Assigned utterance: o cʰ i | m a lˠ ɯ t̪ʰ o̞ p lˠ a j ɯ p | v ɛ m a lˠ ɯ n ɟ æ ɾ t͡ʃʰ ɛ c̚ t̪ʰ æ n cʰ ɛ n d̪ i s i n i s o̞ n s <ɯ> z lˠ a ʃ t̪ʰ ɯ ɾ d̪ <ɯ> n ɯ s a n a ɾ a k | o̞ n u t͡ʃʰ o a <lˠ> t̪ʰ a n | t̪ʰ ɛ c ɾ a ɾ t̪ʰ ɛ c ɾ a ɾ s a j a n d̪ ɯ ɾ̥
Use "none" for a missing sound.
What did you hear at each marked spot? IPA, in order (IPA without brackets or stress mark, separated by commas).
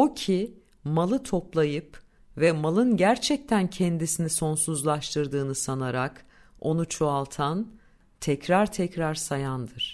u, ɯː, lˠ